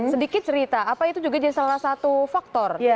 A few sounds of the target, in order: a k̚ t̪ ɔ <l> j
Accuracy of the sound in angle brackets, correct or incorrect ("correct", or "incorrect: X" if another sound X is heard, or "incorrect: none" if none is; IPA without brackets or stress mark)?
incorrect: r